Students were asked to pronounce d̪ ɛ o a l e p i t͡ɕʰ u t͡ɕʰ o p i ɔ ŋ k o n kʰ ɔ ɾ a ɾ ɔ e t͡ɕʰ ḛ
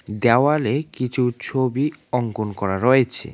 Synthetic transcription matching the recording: d̪ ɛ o a l e k i t͡ɕʰ u t͡ɕʰ o b i ɔ ŋ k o n k ɔ ɾ a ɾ ɔ e t͡ɕʰ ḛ